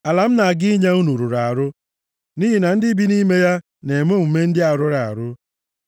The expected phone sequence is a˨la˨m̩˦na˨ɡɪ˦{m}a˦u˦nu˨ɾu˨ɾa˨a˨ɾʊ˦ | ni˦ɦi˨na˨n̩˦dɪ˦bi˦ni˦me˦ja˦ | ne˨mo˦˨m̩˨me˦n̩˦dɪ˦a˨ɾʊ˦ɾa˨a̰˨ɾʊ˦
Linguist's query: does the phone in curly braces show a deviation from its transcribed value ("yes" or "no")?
yes